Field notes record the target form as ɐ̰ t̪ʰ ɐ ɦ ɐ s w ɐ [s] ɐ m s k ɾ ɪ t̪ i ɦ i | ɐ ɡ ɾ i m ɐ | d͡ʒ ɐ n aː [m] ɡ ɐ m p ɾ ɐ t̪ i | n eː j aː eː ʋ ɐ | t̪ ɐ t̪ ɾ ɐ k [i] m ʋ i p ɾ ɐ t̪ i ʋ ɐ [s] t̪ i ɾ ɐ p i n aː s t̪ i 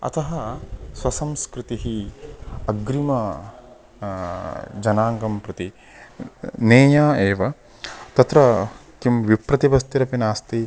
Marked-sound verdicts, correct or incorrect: correct, incorrect, correct, correct

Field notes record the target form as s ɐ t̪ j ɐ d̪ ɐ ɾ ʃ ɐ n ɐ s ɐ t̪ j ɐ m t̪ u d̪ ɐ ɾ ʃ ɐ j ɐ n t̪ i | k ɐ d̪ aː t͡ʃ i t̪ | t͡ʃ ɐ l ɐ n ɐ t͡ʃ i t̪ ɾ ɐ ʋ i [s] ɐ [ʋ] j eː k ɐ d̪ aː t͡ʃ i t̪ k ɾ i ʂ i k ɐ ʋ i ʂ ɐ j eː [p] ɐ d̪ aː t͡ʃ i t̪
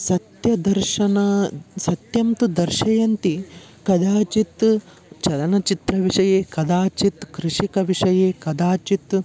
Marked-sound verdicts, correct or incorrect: incorrect, incorrect, incorrect

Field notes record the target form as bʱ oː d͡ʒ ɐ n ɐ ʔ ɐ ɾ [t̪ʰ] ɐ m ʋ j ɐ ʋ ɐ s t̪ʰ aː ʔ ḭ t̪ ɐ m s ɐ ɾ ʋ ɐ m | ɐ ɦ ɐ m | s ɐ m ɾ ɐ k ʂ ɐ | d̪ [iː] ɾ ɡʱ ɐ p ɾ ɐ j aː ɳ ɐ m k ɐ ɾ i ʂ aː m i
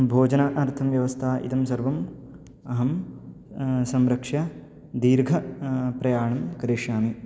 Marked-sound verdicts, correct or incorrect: correct, correct

